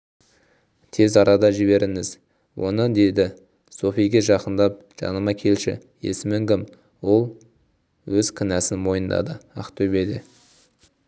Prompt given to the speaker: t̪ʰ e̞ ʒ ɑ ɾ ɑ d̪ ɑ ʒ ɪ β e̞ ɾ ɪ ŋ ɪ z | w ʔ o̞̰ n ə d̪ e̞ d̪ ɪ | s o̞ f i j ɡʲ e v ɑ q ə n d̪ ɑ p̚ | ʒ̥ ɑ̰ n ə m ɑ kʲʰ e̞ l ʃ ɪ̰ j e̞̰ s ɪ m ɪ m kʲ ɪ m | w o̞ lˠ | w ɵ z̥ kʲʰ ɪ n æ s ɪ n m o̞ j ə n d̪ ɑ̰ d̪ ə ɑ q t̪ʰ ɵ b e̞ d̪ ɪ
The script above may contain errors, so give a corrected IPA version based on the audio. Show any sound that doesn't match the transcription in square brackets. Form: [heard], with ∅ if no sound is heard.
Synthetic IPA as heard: t̪ʰ e̞ [z] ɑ ɾ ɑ d̪ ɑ ʒ ɪ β e̞ ɾ ɪ ŋ ɪ z | w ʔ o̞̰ n ə d̪ e̞ d̪ ɪ | s o̞ f i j ɡʲ e [ʒ] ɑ q ə n d̪ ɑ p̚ | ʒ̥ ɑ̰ n ə m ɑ kʲʰ e̞ l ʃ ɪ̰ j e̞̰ s ɪ m ɪ [ŋ] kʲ ɪ m | w o̞ lˠ | w ɵ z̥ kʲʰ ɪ n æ s ɪ n m o̞ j ə n d̪ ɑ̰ d̪ ə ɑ q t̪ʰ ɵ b e̞ d̪ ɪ